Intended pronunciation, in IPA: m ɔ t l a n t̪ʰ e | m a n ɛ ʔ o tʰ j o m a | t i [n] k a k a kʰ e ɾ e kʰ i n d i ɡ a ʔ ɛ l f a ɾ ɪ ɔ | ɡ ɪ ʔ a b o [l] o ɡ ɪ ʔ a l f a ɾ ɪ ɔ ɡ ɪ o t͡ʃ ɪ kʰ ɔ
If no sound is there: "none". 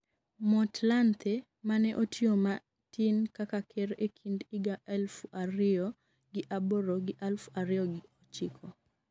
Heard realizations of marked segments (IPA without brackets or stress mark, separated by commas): n, ɾ